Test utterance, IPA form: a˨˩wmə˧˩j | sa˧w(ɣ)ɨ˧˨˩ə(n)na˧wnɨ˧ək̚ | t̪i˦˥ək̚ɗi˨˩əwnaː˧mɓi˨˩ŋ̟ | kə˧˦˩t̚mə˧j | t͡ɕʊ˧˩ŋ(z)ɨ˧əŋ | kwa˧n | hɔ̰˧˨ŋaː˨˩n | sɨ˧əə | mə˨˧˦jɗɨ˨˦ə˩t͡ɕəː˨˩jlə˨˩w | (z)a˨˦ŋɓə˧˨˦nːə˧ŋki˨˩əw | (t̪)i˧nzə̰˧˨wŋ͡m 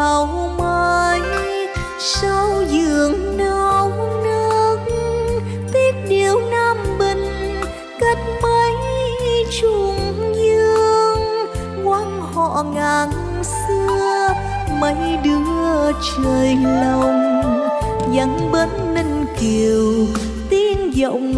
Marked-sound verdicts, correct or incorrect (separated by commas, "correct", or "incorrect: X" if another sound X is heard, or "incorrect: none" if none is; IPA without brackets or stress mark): incorrect: z, incorrect: ŋ, correct, correct, correct